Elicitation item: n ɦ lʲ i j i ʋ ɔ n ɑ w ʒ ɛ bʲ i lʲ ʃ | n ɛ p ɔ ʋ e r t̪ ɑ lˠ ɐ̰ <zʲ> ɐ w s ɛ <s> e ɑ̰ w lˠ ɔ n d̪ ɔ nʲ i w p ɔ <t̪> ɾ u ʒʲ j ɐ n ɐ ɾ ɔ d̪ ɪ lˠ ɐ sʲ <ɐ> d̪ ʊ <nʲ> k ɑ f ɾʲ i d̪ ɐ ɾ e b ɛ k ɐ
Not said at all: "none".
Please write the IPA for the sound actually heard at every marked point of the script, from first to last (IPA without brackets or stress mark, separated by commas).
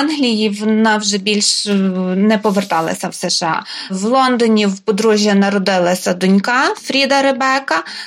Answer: sʲ, ʃ, d̪, ɐ, nʲ